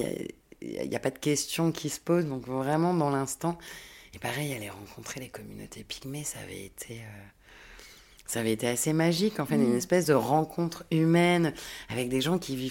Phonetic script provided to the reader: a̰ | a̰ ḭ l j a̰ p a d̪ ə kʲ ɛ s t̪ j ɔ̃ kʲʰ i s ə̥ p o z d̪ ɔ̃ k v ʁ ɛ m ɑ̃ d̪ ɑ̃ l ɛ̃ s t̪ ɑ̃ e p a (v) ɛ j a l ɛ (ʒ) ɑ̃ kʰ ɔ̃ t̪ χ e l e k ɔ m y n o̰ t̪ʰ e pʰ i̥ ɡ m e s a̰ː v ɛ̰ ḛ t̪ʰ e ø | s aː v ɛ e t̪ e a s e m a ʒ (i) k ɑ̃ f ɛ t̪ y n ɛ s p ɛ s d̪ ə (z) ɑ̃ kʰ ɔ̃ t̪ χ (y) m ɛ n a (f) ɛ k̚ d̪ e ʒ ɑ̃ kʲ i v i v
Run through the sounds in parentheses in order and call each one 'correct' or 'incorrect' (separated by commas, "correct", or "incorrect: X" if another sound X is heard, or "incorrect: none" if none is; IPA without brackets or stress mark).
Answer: incorrect: ʁ, incorrect: ʁ, correct, incorrect: ʁ, correct, incorrect: v